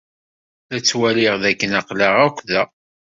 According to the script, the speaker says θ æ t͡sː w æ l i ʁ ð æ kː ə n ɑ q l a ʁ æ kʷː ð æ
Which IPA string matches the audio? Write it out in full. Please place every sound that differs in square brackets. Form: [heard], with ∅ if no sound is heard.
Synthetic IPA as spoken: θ æ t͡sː w æ l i ʁ ð æ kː ə n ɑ q l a ʁ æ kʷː ð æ